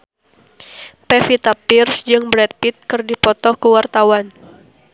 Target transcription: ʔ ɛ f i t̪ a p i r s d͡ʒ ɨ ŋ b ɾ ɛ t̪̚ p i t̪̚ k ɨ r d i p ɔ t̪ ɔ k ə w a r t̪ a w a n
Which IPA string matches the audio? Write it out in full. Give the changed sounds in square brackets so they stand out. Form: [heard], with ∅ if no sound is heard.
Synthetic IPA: [p] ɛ f i t̪ a p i r s d͡ʒ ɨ ŋ b ɾ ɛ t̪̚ p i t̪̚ k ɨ r d i p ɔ t̪ ɔ k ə w a r t̪ a w a n